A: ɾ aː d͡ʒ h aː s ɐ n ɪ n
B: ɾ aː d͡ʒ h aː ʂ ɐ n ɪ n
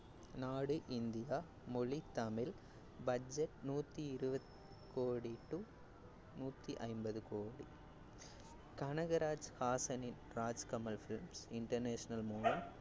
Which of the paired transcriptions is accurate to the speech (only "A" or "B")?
A